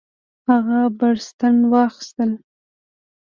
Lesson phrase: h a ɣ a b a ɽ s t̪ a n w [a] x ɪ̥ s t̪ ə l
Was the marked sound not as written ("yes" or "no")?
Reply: yes